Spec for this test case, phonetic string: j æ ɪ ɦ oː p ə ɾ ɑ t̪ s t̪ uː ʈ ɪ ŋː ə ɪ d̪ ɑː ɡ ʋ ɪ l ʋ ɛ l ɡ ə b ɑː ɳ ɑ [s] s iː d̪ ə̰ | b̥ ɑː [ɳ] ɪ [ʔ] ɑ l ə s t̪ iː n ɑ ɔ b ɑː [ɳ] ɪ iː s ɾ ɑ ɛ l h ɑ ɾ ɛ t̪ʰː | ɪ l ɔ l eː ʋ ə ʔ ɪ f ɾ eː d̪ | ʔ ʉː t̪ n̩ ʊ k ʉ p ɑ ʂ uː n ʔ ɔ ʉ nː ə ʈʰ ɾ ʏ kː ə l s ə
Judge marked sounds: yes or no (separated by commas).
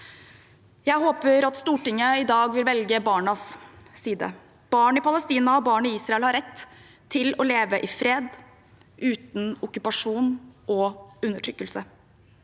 yes, yes, no, yes